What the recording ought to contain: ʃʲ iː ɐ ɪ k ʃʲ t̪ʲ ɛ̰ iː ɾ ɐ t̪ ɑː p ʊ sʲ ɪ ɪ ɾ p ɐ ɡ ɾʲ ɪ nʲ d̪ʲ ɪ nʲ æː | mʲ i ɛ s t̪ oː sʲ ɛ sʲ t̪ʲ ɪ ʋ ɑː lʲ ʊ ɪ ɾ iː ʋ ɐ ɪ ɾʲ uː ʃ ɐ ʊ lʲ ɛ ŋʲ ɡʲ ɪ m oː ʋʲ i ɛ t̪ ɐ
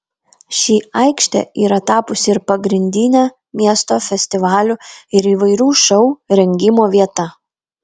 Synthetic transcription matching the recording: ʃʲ iː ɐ ɪ k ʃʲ t̪ʲ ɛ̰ iː ɾ ɐ t̪ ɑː p ʊ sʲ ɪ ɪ ɾ p ɐ ɡ ɾʲ ɪ nʲ d̪ʲ ɪ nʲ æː | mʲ i ɛ s t̪ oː fʲ ɛ sʲ t̪ʲ ɪ ʋ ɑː lʲ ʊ ɪ ɾ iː ʋ ɐ ɪ ɾʲ uː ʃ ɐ ʊ ɾʲ ɛ ŋʲ ɡʲ ɪ m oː ʋʲ i ɛ t̪ ɐ